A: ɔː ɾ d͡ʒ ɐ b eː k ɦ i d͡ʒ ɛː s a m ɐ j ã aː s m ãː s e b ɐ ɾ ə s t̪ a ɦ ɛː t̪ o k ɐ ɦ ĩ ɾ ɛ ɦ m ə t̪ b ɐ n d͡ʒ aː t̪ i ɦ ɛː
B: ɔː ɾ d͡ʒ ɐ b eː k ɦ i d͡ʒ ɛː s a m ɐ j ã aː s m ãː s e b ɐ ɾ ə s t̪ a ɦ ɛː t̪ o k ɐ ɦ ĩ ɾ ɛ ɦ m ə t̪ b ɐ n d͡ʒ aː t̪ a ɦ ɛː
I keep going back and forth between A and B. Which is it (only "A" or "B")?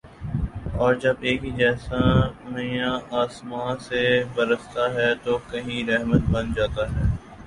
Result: B